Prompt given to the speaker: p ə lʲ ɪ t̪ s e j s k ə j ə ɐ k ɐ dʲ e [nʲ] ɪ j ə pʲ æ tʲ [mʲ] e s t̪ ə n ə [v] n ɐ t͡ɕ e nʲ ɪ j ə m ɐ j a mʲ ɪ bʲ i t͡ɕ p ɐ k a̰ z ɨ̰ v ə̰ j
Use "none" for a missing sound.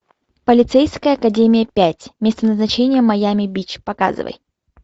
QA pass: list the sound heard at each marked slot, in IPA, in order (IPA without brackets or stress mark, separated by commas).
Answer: mʲ, mʲ, z